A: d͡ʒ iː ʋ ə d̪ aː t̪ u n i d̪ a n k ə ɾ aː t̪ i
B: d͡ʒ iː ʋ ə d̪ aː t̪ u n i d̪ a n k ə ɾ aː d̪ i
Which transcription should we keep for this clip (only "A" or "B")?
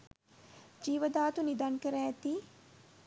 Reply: A